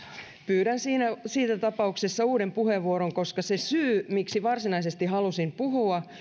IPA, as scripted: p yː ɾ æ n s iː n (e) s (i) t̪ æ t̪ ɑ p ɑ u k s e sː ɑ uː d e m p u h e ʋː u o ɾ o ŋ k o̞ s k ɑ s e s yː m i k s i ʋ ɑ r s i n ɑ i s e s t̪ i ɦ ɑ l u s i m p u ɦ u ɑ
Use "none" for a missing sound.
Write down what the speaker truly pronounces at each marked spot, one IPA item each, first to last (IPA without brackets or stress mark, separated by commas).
æ, iː